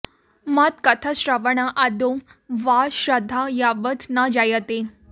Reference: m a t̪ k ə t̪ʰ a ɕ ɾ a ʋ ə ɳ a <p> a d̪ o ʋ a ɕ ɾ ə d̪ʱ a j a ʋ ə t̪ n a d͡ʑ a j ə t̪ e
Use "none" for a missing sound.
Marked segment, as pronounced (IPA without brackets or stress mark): ʔ